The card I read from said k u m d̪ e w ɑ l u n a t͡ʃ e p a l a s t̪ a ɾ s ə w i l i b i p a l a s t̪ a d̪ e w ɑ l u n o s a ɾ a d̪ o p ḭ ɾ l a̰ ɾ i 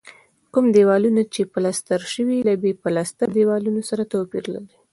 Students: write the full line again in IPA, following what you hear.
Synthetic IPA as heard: k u m d̪ e w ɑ l u n a t͡ʃ e p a l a s t̪ a ɾ ʃ ə w i l a b e p a l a s t̪ a d̪ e w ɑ l u n o s a ɾ a t̪ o p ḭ ɾ l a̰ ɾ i